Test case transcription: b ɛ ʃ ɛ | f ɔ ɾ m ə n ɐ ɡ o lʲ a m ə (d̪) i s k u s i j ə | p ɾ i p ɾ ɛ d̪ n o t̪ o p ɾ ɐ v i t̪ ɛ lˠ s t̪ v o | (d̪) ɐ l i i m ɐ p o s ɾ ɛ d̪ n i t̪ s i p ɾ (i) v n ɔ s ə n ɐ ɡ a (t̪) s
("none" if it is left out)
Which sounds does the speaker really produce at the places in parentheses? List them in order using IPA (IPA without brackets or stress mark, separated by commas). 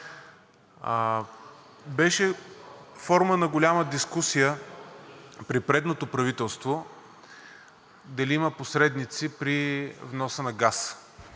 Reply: d̪, d̪, i, none